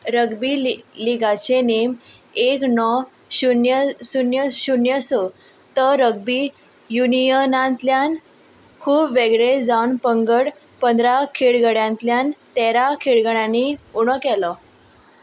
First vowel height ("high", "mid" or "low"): mid